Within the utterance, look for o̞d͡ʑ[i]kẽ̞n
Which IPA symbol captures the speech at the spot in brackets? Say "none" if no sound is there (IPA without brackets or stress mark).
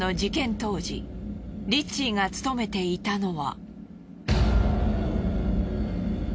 i